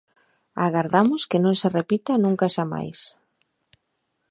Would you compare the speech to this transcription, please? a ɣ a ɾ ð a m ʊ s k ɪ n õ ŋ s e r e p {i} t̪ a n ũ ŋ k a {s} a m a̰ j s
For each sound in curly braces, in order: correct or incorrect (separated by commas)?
correct, incorrect